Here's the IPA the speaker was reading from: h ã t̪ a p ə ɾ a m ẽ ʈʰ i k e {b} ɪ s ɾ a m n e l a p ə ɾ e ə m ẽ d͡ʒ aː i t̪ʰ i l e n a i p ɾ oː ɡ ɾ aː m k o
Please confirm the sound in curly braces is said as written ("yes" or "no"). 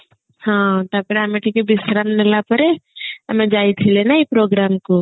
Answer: yes